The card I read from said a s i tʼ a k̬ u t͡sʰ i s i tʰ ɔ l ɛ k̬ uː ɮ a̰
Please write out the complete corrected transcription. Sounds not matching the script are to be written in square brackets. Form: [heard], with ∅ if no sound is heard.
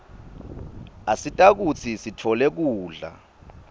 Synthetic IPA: a s i tʼ a k̬ u t͡sʰ i s i tʰ ɔ l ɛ k̬ uː ɮ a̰